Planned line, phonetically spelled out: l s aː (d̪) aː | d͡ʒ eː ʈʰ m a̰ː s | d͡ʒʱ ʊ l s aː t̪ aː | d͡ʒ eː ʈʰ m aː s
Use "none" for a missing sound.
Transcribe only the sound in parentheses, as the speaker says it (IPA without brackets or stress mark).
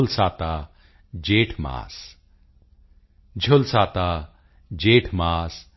t̪